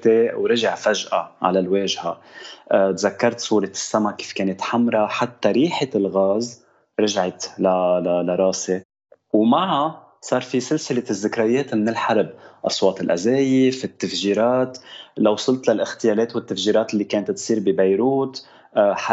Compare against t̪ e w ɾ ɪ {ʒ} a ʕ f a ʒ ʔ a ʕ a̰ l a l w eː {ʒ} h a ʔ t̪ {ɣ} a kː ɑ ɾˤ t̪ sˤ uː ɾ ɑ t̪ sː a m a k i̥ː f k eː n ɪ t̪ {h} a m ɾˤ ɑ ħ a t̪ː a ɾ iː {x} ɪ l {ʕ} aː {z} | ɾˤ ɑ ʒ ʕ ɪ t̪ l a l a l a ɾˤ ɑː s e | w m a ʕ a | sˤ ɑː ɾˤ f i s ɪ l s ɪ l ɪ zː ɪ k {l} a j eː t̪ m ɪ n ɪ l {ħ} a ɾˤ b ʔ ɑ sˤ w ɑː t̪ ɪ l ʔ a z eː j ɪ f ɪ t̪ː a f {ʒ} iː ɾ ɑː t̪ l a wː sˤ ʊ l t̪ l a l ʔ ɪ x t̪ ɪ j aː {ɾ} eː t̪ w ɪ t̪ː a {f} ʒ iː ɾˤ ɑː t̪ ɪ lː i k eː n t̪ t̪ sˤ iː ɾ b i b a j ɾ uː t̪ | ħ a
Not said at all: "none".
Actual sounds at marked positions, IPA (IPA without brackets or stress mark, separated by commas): ʒ, ʒ, z, ħ, ħ, ɣ, z, ɾ, ħ, ʒ, l, f